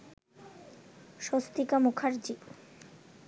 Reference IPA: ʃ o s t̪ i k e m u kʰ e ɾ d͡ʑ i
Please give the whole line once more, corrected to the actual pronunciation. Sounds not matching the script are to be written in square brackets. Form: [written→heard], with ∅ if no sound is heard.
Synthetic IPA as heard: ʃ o s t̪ i k [e→a] m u kʰ [e→a] ɾ d͡ʑ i